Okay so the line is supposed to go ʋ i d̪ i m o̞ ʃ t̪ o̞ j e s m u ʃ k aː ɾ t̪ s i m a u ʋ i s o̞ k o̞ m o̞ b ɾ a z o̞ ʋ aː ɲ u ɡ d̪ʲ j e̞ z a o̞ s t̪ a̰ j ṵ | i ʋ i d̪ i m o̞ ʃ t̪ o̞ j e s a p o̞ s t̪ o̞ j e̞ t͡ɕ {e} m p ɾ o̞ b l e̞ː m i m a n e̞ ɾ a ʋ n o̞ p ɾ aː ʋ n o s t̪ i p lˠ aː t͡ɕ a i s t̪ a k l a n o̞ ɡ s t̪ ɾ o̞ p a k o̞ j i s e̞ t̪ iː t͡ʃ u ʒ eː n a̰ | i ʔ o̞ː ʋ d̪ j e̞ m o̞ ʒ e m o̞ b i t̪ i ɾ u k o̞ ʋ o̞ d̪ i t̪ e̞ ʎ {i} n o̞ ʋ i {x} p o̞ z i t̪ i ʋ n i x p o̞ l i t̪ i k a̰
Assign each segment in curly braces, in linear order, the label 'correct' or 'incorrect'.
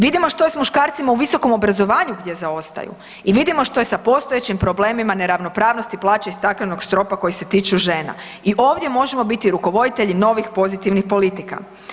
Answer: incorrect: i, correct, correct

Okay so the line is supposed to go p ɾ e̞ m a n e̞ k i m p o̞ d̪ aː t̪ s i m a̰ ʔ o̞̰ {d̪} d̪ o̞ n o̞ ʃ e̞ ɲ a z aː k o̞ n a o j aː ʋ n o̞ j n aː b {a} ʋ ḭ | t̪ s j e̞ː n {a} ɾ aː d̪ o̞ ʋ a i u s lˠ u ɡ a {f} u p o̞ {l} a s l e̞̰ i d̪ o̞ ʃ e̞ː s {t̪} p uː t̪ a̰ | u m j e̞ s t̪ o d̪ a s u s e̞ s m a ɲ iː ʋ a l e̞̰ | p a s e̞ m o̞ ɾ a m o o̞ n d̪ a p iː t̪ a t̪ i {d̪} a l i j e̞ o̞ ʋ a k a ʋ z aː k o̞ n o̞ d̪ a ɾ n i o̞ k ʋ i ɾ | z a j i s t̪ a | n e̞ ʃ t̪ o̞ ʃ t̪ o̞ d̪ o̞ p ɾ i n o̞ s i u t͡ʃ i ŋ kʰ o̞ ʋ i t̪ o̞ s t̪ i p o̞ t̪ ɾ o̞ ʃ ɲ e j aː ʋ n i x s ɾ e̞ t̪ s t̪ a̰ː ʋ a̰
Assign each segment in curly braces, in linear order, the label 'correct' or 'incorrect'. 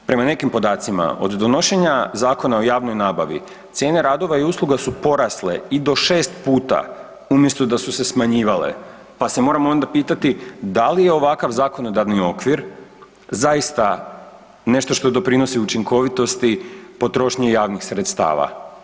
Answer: correct, correct, incorrect: e, incorrect: s, incorrect: ɾ, correct, correct

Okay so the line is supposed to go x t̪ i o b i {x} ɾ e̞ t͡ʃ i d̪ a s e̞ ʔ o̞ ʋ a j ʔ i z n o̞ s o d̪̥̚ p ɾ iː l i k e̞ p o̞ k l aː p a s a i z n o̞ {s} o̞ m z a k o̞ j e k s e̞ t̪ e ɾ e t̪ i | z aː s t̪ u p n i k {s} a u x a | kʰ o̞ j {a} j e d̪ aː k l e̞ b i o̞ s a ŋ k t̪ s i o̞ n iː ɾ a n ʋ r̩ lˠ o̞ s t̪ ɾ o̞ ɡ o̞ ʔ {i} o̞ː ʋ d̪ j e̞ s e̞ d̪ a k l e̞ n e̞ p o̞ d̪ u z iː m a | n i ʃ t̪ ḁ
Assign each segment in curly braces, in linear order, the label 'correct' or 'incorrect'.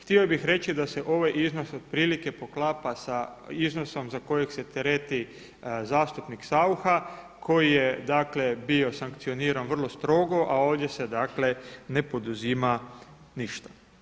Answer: correct, correct, correct, incorrect: i, incorrect: a

